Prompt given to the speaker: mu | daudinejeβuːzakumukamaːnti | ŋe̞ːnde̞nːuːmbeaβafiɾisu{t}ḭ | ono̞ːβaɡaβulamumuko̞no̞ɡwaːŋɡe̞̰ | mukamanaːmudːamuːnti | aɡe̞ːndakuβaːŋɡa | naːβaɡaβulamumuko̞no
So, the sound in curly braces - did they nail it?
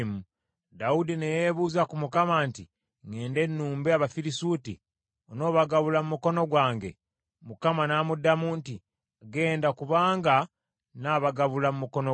yes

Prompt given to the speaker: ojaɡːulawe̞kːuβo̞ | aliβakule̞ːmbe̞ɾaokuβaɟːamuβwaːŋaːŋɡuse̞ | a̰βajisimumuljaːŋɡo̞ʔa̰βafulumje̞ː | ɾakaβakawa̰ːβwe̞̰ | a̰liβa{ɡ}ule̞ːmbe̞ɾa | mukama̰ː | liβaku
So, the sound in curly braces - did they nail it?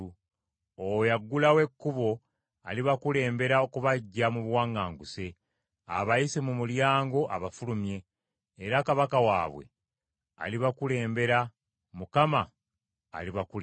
no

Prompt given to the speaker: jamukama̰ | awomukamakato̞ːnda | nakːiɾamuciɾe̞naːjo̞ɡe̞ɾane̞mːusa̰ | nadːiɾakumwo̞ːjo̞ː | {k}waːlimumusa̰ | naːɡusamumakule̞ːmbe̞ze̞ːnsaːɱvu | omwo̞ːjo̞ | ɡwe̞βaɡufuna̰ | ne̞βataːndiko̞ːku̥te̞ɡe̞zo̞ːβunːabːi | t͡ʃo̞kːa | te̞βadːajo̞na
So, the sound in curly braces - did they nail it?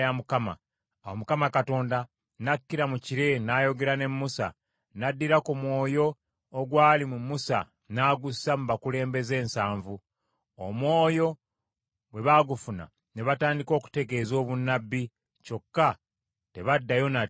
no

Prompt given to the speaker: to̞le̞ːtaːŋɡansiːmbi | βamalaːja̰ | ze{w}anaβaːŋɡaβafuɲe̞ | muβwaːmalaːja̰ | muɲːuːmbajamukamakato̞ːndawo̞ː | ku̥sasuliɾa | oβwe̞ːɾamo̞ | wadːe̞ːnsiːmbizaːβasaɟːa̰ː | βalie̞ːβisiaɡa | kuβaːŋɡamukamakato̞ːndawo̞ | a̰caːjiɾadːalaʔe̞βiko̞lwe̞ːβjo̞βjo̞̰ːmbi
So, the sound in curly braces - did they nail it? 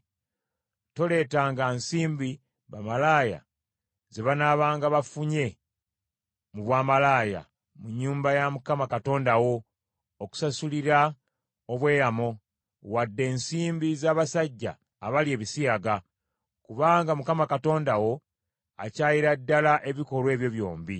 no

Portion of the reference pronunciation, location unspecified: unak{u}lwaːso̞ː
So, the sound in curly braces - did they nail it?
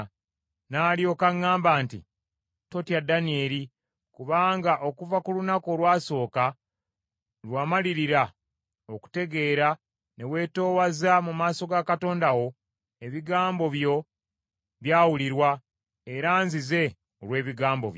no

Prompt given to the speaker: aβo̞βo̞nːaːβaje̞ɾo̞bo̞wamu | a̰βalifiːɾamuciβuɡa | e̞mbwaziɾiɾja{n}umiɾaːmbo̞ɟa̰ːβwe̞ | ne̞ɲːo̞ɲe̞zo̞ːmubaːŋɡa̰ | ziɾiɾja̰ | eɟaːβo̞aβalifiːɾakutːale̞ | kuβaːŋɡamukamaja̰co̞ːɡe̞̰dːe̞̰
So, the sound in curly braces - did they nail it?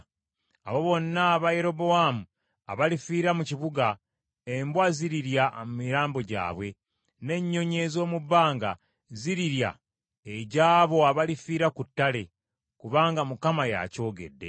no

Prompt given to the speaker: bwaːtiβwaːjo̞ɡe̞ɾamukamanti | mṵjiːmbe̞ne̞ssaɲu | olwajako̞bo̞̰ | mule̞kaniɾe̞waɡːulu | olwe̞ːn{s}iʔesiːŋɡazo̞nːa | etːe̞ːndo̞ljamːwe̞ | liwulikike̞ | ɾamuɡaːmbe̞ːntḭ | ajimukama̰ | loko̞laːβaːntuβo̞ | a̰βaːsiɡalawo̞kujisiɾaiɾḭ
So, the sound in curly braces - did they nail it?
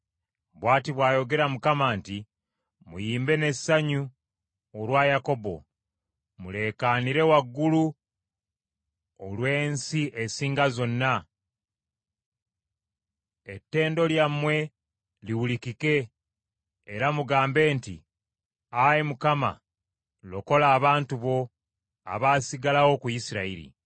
yes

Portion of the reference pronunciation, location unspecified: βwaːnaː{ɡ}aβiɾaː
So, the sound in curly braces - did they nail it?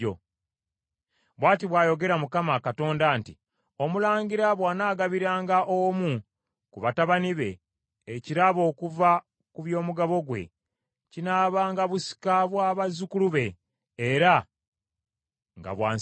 yes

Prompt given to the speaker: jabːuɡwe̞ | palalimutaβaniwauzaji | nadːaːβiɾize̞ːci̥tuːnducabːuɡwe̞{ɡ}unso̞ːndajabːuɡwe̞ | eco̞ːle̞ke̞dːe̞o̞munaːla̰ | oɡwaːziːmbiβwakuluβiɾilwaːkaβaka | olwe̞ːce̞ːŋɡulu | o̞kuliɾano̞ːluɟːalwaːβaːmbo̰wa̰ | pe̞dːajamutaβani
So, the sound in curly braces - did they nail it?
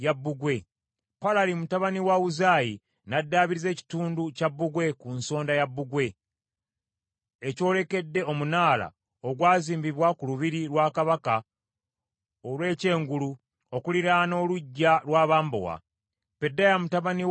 no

